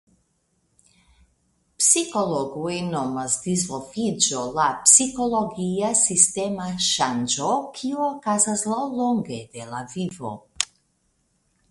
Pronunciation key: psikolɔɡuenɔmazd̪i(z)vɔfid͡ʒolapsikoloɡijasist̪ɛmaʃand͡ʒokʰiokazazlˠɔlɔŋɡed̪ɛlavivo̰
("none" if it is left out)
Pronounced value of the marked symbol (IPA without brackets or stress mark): z